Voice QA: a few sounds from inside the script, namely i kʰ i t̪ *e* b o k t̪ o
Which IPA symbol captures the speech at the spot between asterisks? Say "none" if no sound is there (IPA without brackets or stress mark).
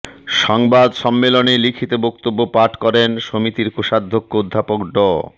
e